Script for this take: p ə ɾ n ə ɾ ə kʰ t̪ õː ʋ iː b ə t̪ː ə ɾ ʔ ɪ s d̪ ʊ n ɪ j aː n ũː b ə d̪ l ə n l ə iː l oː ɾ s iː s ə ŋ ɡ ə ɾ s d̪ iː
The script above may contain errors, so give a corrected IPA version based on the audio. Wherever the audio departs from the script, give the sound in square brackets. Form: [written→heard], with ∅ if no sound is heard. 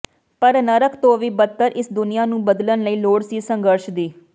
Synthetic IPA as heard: p ə ɾ n ə ɾ ə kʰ t̪ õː ʋ iː b ə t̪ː ə ɾ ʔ ɪ s d̪ ʊ n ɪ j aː n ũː b ə d̪ l ə n l ə iː l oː [ɾ→ɽ] s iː s ə ŋ ɡ ə ɾ [s→ʃ] d̪ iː